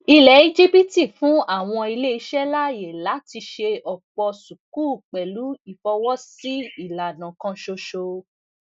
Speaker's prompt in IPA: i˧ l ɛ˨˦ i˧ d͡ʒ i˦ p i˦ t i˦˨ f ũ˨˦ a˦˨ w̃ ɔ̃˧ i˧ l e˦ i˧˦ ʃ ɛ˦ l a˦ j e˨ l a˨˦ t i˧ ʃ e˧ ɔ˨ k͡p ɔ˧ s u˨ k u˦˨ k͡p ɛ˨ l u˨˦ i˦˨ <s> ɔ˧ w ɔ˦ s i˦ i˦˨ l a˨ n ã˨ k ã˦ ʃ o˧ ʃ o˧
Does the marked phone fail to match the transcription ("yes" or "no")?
yes